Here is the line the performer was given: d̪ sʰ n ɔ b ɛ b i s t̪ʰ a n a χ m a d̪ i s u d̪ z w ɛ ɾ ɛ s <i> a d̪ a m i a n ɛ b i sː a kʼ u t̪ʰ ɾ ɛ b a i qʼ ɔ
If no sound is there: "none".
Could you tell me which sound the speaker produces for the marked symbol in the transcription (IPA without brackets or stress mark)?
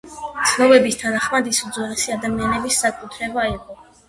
i